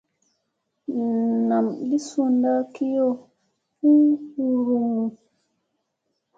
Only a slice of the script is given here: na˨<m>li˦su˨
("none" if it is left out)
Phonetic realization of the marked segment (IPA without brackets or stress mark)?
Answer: m